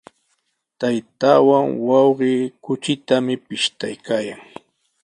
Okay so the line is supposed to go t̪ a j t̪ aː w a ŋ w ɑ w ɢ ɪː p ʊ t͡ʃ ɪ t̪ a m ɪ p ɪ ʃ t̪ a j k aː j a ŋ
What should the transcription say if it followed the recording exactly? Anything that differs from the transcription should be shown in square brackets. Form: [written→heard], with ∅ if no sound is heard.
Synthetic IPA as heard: t̪ a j t̪ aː w a ŋ w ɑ w ɢ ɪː [p→k] ʊ t͡ʃ ɪ t̪ a m ɪ p ɪ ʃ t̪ a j k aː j a ŋ